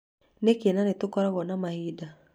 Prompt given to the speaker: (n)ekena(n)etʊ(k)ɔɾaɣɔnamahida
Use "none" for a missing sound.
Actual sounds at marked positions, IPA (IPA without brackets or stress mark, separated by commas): n, n, k